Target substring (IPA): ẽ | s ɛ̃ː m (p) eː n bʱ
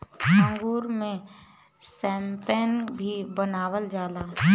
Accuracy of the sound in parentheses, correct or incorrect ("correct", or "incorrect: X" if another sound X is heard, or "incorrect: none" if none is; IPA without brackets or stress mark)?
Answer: correct